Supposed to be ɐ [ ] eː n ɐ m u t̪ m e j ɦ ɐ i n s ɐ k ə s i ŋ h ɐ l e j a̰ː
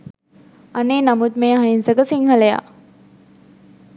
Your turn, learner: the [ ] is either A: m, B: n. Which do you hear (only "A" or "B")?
B